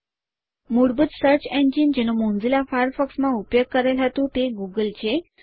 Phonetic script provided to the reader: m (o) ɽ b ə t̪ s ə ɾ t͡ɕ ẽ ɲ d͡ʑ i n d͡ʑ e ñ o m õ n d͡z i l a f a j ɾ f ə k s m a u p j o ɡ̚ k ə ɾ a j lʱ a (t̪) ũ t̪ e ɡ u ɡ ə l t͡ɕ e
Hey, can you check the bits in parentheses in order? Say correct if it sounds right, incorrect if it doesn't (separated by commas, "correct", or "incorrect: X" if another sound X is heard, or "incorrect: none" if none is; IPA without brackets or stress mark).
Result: incorrect: u, correct